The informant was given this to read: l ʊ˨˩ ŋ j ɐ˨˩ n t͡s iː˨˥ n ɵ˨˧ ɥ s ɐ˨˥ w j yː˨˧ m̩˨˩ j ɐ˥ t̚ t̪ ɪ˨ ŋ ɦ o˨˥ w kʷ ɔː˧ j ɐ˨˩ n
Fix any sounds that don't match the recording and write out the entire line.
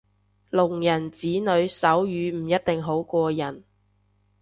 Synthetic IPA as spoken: l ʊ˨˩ ŋ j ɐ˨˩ n t͡s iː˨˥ n ɵ˨˧ ɥ s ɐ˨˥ w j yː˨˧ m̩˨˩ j ɐ˥ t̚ t̪ ɪ˨ ŋ ɦ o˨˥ w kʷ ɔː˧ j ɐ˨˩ n